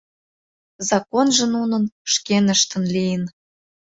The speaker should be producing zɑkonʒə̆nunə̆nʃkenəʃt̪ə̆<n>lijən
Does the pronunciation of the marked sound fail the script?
no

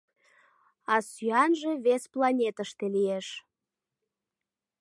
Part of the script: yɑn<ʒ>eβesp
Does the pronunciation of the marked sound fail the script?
no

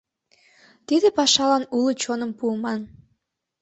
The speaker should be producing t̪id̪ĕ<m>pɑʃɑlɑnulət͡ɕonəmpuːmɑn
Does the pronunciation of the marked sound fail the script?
yes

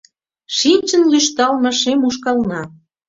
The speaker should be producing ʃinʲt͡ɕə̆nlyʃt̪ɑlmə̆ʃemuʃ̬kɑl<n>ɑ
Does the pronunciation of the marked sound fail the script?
no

